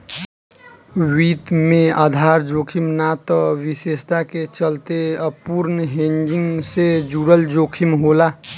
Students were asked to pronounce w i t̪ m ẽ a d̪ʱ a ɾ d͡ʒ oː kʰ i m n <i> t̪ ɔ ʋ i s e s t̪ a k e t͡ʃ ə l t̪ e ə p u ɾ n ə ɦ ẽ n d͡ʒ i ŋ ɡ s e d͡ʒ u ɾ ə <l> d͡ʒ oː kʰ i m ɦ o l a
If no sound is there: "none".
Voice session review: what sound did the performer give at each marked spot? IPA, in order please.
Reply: a, l

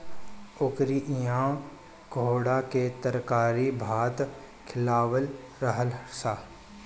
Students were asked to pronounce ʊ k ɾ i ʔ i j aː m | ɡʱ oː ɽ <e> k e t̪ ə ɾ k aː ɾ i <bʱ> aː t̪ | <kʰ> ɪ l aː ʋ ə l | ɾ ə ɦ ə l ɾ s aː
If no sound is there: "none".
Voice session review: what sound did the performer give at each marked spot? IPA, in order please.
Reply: a, bʱ, kʰ

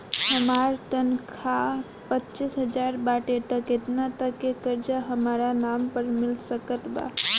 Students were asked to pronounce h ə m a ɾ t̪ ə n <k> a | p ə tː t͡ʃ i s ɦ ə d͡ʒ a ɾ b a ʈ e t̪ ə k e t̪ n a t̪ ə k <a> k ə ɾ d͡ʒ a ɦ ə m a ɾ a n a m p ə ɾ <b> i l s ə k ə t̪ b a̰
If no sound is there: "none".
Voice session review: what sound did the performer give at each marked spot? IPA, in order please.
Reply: kʰ, e, m

